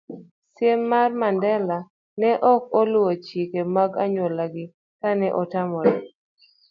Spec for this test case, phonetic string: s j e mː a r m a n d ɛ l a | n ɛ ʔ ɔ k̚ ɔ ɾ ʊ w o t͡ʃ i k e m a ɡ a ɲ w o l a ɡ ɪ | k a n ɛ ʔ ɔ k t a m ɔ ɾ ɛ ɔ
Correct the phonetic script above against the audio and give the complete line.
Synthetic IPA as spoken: s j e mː a r m a n d ɛ l a | n ɛ ʔ ɔ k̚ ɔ l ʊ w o t͡ʃ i k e m a ɡ a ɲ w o l a ɡ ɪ | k a n ɛ ʔ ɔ t a m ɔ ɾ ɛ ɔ